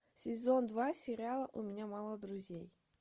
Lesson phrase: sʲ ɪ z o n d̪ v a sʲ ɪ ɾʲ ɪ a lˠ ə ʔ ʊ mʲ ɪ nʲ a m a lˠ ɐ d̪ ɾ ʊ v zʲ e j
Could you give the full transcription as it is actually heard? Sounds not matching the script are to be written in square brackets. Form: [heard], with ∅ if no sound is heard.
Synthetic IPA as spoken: sʲ ɪ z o n d̪ v a sʲ ɪ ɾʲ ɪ a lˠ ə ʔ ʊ mʲ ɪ nʲ a m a lˠ [ə] d̪ ɾ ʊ [∅] zʲ e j